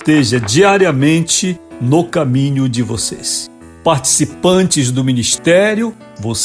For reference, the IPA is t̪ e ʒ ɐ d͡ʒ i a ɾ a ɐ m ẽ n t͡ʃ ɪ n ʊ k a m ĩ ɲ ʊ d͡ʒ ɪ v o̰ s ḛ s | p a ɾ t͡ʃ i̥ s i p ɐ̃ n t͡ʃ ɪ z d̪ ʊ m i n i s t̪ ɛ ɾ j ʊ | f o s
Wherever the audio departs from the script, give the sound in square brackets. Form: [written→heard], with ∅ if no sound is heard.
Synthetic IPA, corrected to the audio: t̪ e ʒ ɐ d͡ʒ i a ɾ [a→i] ɐ m ẽ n t͡ʃ ɪ n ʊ k a m ĩ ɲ ʊ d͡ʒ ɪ v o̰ s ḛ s | p a ɾ t͡ʃ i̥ s i p ɐ̃ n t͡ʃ ɪ z d̪ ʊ m i n i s t̪ ɛ ɾ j ʊ | [f→v] o s